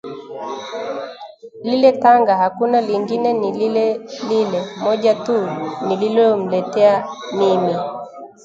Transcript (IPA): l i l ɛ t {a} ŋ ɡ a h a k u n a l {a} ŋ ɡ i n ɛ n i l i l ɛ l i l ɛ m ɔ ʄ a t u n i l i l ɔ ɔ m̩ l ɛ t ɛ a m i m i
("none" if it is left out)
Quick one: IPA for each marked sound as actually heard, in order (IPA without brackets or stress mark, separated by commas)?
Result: a, i